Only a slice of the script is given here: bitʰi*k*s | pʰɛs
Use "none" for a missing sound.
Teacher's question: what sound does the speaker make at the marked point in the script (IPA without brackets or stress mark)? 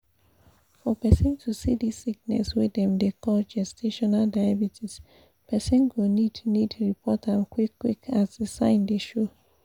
none